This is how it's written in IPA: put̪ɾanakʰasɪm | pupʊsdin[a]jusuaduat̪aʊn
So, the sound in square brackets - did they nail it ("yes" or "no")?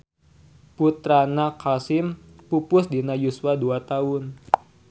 yes